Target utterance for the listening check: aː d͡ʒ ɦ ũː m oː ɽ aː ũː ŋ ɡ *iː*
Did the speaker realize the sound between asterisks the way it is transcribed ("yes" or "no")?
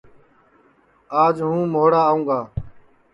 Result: no